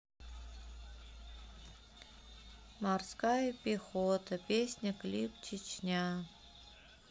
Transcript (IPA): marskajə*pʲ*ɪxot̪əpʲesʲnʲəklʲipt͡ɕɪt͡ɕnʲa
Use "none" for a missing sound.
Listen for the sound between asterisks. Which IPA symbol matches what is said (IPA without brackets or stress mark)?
pʲ